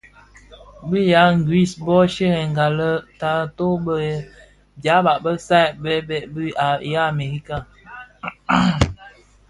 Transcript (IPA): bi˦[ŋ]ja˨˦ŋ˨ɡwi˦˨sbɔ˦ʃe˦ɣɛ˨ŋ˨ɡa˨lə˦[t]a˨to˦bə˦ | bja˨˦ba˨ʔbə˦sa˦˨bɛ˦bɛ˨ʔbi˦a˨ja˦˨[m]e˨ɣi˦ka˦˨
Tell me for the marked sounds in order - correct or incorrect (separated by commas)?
incorrect, correct, correct